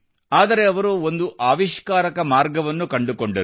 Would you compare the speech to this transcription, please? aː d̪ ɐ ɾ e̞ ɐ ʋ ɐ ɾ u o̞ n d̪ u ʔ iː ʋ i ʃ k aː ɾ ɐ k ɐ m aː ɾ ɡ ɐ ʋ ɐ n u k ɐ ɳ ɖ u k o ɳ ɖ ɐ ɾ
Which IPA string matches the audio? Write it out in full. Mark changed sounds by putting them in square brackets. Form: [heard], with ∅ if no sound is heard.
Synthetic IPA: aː d̪ ɐ ɾ e̞ ɐ ʋ ɐ ɾ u o̞ n d̪ u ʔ [aː] ʋ i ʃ k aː ɾ ɐ k ɐ m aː ɾ ɡ ɐ ʋ ɐ [nː] u k ɐ ɳ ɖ u k o ɳ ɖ ɐ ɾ